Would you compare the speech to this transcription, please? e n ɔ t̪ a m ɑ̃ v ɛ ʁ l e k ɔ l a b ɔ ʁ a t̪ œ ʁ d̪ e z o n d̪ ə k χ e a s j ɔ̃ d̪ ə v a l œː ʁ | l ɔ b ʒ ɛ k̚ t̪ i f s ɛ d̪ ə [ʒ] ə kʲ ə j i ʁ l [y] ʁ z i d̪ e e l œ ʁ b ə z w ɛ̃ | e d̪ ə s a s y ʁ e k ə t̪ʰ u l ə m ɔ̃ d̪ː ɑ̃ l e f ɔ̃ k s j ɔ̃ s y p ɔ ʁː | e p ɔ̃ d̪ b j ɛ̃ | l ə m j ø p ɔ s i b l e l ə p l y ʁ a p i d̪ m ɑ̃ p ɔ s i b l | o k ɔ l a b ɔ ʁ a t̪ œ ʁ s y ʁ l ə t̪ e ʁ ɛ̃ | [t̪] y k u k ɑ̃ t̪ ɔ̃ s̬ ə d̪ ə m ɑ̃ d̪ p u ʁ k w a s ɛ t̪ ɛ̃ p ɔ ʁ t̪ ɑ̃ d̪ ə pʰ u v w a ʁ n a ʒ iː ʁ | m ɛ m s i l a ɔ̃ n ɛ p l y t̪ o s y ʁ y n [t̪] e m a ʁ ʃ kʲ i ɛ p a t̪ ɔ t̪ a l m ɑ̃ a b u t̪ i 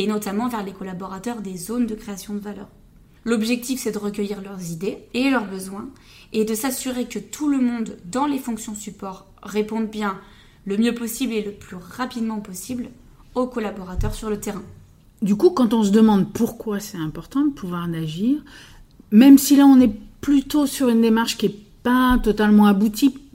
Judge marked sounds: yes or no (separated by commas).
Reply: no, no, no, no